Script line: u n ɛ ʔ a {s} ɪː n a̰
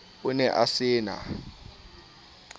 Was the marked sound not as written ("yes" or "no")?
no